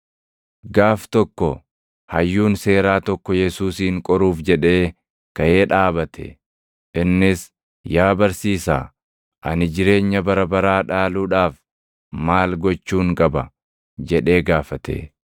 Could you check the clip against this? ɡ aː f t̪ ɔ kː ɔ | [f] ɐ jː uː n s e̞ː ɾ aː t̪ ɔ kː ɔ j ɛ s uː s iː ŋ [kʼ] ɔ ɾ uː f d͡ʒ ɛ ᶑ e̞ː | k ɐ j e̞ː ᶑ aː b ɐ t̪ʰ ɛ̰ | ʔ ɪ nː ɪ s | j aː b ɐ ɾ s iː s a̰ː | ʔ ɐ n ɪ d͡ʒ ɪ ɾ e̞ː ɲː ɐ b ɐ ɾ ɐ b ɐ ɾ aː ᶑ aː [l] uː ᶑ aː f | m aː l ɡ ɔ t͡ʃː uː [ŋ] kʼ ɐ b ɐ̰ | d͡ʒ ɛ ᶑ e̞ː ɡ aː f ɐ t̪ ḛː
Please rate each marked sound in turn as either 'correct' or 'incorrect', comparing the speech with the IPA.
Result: incorrect, correct, correct, correct

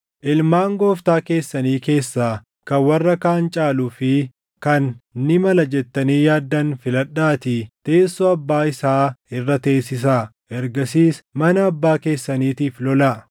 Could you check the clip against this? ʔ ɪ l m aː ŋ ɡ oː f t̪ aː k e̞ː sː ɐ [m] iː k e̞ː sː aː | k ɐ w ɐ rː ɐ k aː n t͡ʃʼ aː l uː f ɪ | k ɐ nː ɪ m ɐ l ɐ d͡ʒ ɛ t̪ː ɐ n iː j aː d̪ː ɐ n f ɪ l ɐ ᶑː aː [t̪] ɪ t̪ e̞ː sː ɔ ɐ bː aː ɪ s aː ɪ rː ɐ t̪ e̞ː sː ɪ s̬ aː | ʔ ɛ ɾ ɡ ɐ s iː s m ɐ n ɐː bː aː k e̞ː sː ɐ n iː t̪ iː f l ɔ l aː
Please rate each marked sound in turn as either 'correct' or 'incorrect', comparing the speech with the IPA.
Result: incorrect, correct

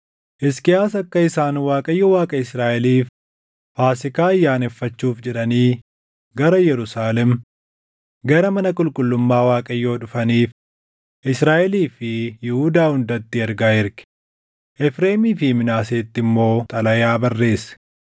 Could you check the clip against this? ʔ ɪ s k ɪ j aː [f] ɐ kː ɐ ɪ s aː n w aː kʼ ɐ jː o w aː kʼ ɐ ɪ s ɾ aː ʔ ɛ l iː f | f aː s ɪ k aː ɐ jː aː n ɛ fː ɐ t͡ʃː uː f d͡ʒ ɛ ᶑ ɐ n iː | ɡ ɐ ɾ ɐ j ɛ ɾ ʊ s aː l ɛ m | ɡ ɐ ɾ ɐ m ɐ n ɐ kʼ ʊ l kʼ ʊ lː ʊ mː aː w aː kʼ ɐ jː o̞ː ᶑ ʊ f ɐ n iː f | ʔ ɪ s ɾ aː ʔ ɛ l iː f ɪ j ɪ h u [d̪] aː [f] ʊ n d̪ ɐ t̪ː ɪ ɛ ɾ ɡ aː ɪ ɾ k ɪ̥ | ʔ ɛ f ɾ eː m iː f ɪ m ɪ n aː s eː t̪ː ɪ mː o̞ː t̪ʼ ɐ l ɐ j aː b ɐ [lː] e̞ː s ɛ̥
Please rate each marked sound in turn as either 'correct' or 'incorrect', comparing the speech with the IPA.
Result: incorrect, correct, incorrect, incorrect

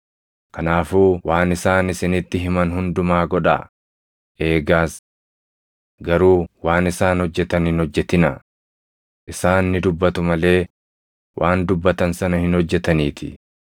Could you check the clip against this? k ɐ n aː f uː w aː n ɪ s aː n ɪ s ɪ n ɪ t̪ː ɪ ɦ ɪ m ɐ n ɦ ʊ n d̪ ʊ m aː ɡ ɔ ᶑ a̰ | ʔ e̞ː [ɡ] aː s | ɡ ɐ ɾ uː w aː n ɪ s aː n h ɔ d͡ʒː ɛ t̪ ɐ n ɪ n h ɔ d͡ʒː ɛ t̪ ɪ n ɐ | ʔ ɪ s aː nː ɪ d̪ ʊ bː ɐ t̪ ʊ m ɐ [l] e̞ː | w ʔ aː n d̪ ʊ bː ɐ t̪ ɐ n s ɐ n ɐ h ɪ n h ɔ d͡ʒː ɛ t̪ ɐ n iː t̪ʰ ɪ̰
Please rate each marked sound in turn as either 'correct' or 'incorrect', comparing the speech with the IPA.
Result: correct, correct

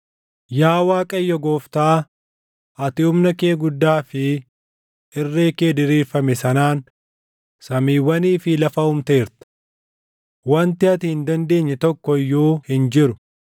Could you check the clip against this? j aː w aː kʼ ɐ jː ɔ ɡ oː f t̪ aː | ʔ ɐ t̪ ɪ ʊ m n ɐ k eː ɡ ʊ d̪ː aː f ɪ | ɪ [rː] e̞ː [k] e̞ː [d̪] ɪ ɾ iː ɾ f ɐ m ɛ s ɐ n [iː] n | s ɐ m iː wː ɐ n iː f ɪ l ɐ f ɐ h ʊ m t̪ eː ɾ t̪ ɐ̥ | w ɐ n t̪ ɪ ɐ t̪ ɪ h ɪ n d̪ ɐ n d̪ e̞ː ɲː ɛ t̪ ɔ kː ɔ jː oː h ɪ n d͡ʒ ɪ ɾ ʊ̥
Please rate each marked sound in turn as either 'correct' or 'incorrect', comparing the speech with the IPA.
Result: correct, correct, correct, incorrect

